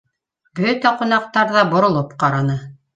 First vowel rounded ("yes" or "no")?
yes